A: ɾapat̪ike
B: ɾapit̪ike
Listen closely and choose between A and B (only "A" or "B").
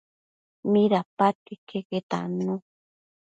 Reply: A